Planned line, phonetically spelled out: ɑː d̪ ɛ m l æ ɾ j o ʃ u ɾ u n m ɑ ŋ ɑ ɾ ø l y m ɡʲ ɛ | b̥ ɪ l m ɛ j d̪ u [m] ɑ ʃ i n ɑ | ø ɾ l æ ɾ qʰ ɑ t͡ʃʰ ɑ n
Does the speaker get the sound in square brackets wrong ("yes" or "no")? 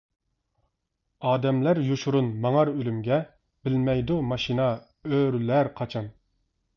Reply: no